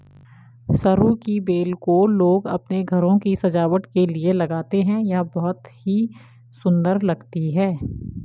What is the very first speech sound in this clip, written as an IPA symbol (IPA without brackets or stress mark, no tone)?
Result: s